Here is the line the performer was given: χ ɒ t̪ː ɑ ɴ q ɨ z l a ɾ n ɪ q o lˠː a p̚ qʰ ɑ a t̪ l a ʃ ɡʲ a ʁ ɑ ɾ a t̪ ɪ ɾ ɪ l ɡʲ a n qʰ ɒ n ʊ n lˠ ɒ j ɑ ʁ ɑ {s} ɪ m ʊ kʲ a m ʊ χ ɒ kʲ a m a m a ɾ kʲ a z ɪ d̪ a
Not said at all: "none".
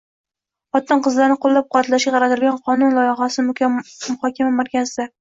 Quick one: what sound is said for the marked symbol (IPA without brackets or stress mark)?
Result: s